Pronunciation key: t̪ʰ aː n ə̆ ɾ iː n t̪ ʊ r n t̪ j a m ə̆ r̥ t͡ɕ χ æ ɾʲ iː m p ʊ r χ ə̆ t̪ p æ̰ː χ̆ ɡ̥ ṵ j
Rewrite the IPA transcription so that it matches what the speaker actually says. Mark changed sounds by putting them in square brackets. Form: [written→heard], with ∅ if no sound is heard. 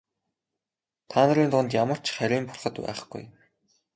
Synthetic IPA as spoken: t̪ʰ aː n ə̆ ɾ iː n t̪ ʊ [r→∅] n t̪ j a m ə̆ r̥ t͡ɕ χ æ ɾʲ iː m p ʊ r χ ə̆ t̪ p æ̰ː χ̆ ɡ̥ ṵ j